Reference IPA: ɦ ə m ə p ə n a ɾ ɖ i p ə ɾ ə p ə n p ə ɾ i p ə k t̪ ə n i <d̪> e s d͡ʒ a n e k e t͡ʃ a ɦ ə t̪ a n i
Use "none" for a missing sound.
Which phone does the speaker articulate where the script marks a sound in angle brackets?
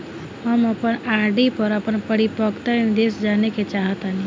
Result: d̪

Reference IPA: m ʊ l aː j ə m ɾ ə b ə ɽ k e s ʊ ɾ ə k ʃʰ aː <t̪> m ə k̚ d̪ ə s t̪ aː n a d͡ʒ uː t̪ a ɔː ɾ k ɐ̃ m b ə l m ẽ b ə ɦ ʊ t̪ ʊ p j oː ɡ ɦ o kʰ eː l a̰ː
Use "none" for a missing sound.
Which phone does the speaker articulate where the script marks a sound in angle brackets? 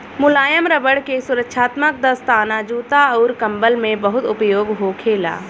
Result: t̪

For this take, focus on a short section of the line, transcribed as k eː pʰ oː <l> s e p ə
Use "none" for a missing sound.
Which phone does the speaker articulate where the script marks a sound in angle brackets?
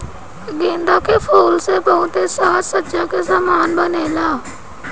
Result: l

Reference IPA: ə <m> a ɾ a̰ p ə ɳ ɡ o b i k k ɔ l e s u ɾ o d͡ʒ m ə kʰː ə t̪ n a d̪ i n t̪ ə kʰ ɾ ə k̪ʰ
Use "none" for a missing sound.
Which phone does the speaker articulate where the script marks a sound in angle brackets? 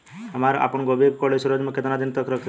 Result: m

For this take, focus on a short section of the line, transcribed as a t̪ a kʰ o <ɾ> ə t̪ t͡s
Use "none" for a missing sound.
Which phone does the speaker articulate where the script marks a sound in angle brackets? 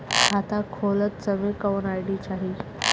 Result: l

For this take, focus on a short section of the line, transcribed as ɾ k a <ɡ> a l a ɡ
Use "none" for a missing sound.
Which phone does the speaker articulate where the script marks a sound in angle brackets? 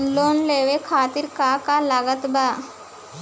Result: k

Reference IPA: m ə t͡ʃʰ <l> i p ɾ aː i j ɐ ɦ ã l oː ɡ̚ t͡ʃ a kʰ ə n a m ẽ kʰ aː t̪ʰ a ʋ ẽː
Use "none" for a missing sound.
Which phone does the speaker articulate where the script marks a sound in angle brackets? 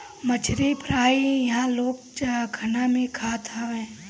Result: ɾ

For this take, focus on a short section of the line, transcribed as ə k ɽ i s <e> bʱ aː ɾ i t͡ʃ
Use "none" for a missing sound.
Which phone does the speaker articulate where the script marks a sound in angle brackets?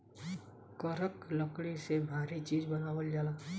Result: e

